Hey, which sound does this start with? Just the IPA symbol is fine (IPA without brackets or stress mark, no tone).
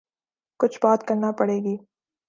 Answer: k